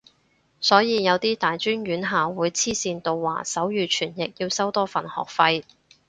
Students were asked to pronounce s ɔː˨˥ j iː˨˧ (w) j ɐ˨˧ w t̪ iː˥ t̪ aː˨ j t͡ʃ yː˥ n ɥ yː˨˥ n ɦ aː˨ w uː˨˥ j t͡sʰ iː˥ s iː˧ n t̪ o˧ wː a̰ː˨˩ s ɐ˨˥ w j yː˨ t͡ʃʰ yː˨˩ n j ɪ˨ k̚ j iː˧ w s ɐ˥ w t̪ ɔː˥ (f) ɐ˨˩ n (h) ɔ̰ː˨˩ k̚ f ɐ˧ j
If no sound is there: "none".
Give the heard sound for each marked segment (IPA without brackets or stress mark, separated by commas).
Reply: none, f, h